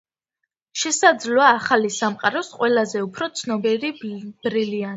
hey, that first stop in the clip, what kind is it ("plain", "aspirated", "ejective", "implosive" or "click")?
plain